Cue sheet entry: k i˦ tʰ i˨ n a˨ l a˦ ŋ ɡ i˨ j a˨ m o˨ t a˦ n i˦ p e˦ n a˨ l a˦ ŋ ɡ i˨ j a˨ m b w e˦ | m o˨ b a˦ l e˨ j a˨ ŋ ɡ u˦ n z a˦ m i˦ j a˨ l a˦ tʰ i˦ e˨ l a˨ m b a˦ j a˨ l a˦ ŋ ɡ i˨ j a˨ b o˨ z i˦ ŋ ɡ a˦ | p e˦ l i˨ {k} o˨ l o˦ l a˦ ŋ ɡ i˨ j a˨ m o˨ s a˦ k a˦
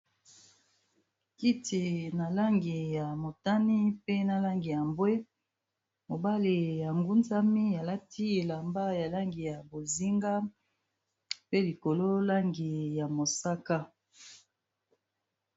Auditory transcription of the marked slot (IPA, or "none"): k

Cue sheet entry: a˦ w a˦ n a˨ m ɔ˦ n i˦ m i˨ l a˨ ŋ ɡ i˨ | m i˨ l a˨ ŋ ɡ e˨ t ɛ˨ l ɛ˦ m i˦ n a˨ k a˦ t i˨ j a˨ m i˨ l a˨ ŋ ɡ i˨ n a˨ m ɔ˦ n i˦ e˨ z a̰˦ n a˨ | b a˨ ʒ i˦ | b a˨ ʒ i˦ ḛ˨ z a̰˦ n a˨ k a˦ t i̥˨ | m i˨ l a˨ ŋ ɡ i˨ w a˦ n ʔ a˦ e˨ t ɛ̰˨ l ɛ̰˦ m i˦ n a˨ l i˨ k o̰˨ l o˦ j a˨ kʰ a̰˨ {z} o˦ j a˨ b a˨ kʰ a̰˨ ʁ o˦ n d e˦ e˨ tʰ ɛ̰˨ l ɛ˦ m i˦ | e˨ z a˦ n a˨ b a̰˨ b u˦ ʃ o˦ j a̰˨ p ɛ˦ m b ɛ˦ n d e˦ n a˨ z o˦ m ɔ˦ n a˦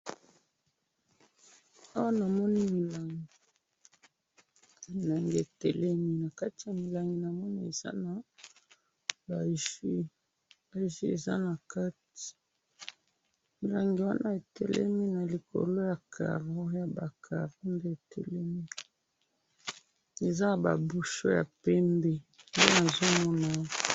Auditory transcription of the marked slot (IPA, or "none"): ʁ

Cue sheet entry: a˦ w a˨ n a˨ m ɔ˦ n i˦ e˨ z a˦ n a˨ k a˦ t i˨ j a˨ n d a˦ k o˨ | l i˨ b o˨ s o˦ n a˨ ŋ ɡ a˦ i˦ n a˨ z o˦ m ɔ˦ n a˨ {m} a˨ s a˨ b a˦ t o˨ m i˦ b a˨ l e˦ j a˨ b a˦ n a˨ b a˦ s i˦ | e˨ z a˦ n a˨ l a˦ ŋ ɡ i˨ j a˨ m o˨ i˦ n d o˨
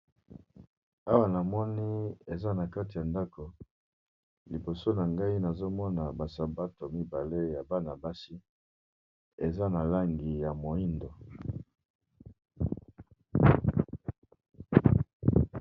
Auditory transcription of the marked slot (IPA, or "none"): b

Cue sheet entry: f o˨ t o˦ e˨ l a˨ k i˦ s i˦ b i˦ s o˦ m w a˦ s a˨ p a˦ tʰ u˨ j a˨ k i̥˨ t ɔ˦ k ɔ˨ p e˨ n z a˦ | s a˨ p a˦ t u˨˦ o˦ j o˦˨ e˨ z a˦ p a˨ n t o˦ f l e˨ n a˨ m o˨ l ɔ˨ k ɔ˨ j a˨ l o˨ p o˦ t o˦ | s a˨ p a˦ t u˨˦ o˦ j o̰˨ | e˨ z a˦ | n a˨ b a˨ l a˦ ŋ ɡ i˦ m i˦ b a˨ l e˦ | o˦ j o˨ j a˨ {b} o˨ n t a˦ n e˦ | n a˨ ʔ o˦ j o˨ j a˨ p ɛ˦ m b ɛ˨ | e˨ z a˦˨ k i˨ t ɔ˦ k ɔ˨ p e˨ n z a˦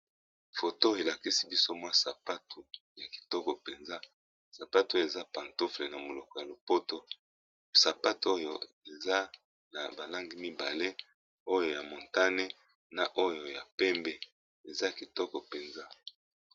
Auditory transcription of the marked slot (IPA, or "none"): m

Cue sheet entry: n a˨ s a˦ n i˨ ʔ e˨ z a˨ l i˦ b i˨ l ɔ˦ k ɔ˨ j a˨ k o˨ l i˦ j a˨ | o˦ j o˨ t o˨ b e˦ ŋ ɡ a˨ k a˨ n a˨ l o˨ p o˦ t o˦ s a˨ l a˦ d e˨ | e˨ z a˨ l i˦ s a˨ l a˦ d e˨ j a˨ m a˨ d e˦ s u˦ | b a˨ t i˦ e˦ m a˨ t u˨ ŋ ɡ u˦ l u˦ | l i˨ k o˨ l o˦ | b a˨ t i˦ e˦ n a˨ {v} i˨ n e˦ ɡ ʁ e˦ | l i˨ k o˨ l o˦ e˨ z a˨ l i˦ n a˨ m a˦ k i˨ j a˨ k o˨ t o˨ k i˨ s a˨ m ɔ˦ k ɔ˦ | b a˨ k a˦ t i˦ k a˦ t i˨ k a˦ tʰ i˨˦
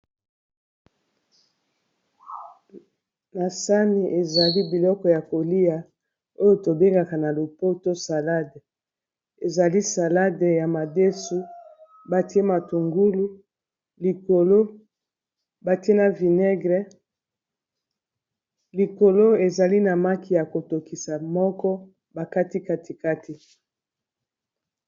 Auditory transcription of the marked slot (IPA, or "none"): v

